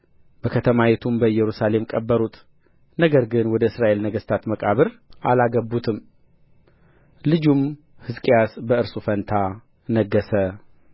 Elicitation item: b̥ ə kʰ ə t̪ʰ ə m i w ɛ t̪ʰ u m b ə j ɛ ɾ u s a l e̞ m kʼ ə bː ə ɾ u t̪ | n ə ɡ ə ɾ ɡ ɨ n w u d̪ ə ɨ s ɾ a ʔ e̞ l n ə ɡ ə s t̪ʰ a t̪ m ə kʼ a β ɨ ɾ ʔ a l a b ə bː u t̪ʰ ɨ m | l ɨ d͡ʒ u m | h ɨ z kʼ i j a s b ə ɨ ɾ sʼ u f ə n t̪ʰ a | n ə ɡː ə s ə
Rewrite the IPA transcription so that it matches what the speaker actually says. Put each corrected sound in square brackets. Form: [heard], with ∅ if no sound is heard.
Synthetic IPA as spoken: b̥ ə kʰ ə t̪ʰ ə m [a] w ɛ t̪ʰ u m b ə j ɛ ɾ u s a l e̞ m kʼ ə bː ə ɾ u t̪ | n ə ɡ ə ɾ ɡ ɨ n w [ɔ] d̪ ə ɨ s ɾ a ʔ e̞ l n ə ɡ ə s t̪ʰ a t̪ m ə kʼ a β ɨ ɾ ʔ a l a [ɡ] ə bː u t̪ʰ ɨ m | l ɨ d͡ʒ u m | h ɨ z kʼ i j a s b ə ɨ ɾ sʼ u f ə n t̪ʰ a | n ə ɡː ə s ə